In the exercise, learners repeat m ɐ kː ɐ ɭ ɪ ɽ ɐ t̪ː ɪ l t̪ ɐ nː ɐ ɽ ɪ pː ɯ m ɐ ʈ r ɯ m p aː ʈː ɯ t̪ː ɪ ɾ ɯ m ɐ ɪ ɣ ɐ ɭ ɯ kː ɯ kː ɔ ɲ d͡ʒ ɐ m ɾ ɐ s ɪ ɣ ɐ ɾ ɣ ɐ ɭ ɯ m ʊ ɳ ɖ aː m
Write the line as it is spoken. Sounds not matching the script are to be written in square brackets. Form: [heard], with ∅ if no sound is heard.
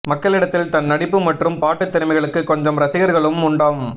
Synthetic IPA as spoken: m ɐ kː ɐ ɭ ɪ ɽ ɐ t̪ː ɪ l t̪ ɐ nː ɐ ɽ ɪ pː ɯ m ɐ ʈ r ɯ m p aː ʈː ɯ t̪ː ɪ ɾ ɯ m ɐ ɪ ɣ ɐ ɭ ɯ kː ɯ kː ɔ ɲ d͡ʒ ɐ m ɾ ɐ s ɪ ɣ ɐ ɾ ɣ ɐ ɭ ɯ m ʊ ɳ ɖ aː m